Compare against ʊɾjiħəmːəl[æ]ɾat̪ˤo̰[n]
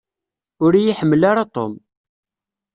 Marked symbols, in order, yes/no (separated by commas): no, no